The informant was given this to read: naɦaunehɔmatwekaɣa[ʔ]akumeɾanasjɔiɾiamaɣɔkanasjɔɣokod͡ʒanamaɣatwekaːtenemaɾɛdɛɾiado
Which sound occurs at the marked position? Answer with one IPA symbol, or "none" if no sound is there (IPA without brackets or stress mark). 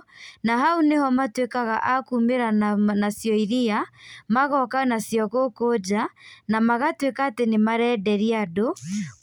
ʔ